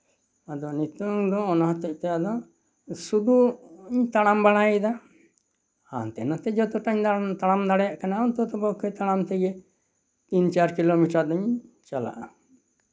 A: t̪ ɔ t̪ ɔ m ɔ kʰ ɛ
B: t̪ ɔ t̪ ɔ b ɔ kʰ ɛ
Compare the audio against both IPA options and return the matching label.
B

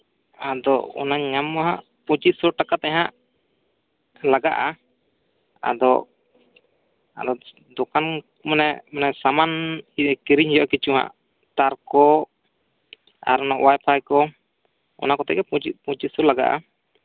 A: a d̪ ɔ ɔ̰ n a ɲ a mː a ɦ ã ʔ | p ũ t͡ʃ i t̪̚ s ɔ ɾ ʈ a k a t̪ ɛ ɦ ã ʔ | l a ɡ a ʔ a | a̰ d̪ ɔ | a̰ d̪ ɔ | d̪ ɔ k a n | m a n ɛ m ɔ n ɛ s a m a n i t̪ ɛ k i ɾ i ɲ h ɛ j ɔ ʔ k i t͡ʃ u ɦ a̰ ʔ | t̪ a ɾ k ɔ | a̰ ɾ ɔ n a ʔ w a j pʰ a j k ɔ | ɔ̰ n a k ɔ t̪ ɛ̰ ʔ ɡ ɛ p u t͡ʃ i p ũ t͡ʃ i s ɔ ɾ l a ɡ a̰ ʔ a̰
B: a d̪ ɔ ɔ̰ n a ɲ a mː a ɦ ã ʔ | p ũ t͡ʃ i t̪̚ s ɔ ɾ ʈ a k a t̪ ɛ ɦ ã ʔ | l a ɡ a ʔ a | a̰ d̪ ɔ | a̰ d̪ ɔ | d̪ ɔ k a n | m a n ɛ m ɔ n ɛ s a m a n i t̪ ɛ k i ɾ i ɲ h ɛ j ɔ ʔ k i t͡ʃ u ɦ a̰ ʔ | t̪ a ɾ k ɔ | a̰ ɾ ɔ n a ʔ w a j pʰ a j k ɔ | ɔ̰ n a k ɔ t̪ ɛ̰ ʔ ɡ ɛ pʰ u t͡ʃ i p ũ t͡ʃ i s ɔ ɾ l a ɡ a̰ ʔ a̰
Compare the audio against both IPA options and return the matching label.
A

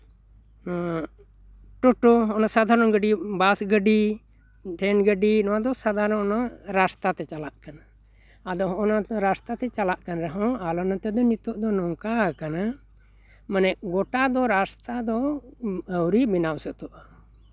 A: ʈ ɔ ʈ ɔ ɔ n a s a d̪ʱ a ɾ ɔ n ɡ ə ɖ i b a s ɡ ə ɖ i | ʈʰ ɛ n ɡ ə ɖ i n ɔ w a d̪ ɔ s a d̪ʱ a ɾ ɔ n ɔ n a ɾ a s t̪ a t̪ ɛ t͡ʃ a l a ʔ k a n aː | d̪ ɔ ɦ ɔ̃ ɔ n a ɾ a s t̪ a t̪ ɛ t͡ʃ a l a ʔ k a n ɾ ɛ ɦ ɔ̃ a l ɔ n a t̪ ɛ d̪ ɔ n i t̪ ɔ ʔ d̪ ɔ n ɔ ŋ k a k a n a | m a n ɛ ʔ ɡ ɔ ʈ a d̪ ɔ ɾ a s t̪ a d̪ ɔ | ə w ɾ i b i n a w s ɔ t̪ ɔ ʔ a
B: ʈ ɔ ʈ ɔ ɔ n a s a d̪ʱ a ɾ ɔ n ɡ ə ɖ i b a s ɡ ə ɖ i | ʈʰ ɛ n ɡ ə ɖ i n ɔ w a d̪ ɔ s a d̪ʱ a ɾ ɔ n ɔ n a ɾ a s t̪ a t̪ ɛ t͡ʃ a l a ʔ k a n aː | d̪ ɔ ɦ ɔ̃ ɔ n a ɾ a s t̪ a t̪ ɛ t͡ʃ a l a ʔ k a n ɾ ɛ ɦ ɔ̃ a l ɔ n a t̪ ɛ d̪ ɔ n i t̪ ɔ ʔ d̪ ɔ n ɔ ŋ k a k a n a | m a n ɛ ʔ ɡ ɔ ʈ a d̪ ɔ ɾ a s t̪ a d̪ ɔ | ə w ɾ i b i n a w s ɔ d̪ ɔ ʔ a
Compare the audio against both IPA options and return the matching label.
A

